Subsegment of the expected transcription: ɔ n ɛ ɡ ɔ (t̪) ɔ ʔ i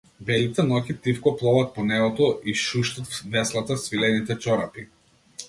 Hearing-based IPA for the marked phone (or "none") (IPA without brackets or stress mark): t̪